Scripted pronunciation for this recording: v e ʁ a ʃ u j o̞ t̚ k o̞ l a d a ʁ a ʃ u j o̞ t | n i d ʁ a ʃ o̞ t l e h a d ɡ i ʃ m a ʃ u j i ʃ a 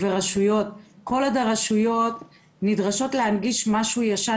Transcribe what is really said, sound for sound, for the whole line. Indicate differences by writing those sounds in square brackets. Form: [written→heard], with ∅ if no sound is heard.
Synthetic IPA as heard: v e ʁ a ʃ u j o̞ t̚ k o̞ l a d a ʁ a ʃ u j o̞ t | n i d ʁ a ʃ o̞ t l e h a [d→n] ɡ i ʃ m a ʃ u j [i→a] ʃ a